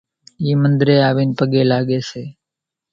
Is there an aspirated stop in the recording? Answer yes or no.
no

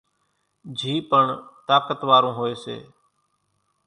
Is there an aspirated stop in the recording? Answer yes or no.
no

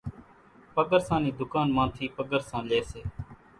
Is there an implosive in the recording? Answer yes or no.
no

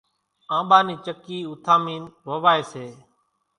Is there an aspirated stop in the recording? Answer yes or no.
yes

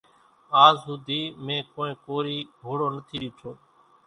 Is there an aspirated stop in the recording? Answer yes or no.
yes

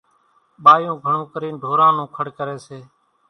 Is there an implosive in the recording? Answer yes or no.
yes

